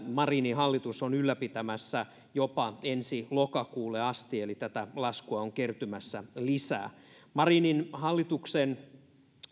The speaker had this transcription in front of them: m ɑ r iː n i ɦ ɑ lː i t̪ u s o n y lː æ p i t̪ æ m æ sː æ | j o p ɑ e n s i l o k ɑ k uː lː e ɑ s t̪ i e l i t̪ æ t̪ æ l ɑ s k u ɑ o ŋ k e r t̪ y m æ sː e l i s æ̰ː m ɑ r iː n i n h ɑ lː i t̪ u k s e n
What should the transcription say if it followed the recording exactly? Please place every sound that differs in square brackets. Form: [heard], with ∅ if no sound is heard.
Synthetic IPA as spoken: m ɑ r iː n i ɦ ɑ lː i t̪ u s o n y lː æ p i t̪ æ m æ sː æ | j o p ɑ e n s i l o k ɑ k uː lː e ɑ s t̪ i e l i t̪ æ t̪ æ l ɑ s k u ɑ o ŋ k e r t̪ y m æ sː [æ] l i s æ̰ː m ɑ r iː n i n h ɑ lː i t̪ u k s e n